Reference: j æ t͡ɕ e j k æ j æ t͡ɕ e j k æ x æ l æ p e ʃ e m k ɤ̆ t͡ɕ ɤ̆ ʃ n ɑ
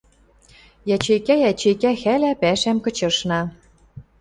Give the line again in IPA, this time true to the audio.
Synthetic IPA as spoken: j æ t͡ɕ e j k æ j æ t͡ɕ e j k æ x æ l æ p æ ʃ æ m k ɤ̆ t͡ɕ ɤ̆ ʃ n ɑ